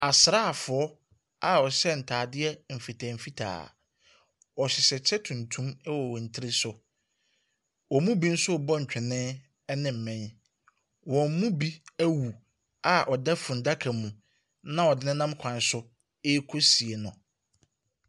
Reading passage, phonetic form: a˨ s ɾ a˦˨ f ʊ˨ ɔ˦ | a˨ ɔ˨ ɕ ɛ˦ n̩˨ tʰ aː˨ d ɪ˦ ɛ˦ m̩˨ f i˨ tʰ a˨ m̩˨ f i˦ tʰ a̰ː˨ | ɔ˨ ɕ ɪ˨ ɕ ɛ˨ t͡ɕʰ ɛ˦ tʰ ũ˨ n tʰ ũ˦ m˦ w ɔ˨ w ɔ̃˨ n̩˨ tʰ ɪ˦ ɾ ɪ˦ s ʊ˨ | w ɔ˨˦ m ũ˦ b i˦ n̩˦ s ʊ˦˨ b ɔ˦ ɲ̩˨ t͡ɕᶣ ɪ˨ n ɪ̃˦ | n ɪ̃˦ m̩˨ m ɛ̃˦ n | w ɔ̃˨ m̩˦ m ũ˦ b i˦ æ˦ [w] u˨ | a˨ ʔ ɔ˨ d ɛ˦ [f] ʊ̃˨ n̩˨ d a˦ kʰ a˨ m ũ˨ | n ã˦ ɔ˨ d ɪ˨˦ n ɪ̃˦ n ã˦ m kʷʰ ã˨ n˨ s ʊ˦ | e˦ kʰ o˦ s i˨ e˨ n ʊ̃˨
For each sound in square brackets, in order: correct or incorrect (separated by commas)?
correct, correct